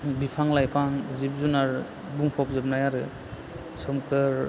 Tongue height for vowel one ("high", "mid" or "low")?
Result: high